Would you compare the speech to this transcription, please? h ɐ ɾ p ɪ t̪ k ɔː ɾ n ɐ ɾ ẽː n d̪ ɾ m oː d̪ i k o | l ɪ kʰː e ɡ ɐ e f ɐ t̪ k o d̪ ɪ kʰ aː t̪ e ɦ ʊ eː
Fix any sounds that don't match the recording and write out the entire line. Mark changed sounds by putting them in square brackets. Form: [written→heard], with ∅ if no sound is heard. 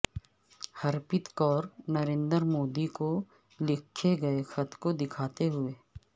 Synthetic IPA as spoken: h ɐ ɾ p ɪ t̪ k ɔː ɾ n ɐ ɾ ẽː n d̪ ɾ m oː d̪ i k o | l ɪ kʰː e ɡ ɐ e [f→x] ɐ t̪ k o d̪ ɪ kʰ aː t̪ e ɦ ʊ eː